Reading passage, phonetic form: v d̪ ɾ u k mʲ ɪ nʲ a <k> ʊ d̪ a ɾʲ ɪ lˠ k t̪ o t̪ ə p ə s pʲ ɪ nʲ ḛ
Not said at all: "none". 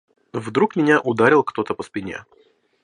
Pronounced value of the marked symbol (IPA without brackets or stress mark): ʔ